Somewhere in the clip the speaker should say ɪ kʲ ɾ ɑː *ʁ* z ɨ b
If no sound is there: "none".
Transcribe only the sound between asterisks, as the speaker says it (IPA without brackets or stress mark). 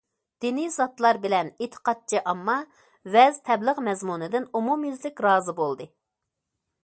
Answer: none